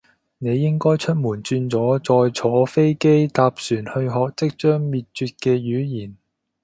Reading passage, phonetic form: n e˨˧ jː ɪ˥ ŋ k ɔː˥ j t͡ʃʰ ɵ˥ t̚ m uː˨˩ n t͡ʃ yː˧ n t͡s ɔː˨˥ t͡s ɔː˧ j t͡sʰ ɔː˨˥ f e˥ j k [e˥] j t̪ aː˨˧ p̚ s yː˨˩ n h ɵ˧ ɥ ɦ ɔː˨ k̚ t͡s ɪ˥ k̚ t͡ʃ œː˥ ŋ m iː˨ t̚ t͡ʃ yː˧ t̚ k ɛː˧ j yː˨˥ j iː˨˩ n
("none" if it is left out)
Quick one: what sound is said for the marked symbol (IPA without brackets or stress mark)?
e˥